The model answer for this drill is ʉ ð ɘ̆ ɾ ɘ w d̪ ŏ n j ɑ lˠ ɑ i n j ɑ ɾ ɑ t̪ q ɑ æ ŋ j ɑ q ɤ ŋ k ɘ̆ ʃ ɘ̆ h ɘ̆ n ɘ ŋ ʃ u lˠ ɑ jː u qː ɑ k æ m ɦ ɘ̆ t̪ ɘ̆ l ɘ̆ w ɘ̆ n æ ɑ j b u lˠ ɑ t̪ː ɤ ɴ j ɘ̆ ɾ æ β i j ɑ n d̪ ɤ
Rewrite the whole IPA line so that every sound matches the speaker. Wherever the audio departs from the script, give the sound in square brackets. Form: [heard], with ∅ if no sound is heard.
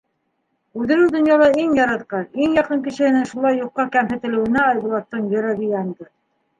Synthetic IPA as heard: ʉ ð ɘ̆ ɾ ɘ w d̪ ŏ n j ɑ lˠ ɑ i [ŋ] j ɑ ɾ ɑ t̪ q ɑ [i] ŋ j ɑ q ɤ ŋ k ɘ̆ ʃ ɘ̆ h ɘ̆ n ɘ ŋ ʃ u lˠ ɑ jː u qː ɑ k æ m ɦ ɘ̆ t̪ ɘ̆ l ɘ̆ w ɘ̆ n æ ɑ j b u lˠ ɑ t̪ː ɤ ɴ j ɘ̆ ɾ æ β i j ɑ n d̪ ɤ